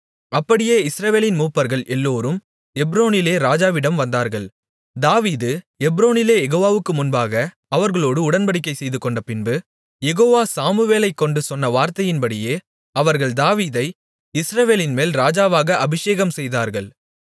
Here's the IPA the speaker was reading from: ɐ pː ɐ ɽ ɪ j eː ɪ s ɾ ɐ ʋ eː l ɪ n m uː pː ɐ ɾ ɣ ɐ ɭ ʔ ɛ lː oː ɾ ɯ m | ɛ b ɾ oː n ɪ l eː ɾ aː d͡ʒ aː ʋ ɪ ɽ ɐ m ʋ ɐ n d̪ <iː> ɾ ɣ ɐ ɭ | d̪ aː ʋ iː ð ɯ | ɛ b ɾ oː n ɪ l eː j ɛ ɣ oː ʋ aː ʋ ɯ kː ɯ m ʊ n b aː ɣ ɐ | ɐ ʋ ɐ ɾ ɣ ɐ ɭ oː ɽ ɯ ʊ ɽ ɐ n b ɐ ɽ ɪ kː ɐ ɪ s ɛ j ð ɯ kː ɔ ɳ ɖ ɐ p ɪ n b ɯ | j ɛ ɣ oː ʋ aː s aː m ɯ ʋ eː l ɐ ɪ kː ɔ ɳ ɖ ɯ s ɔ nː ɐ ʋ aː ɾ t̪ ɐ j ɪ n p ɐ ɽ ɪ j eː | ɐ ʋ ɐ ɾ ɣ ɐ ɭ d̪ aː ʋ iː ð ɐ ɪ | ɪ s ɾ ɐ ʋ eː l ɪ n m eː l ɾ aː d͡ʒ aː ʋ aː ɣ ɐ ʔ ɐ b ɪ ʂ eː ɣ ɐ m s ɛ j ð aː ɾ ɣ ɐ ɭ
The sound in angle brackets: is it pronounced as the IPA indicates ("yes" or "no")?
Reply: no